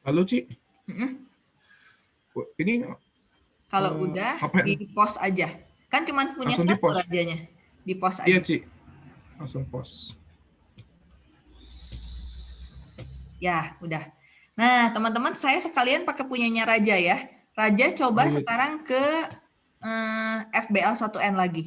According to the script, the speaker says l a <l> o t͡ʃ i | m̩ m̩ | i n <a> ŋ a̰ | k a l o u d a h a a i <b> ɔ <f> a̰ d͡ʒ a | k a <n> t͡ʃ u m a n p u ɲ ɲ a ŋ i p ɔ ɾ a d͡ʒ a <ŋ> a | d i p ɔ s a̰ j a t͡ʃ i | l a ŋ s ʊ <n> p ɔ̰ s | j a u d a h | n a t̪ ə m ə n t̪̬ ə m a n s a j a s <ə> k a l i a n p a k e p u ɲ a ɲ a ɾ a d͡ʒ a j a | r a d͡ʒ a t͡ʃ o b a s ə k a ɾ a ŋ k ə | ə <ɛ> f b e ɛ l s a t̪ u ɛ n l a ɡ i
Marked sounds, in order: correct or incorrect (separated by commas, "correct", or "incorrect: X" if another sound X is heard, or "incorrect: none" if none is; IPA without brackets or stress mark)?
correct, incorrect: i, incorrect: p, incorrect: s, correct, incorrect: ɲ, incorrect: ŋ, correct, correct